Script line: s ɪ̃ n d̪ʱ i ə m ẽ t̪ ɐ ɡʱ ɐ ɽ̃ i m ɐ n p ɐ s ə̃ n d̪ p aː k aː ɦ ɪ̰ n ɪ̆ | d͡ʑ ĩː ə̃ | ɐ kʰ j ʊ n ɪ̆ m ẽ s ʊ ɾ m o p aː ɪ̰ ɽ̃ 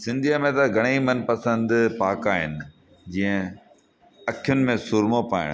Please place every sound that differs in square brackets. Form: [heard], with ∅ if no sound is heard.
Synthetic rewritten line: s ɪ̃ n d̪ʱ i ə m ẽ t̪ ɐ ɡʱ ɐ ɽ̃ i m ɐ n p ɐ s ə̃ n d̪ p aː k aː ɦ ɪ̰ n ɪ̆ | d͡ʑ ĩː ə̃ | ɐ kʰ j ʊ n ɪ̆ m ẽ s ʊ ɾ m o p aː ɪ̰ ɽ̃